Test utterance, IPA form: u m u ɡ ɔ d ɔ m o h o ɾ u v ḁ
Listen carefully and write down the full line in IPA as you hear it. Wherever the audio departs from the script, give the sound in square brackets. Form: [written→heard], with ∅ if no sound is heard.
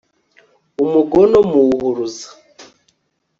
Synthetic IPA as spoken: u m u ɡ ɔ [d→n] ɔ m [o→u] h [o→u] ɾ u [v→z] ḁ